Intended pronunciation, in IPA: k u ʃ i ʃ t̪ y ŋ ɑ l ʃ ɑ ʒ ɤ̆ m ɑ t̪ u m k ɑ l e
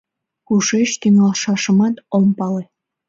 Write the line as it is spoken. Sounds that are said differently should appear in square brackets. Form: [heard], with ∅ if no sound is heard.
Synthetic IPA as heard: k u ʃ [e] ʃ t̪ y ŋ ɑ l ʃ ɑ [ʃ] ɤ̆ m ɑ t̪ [o] m [p] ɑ l e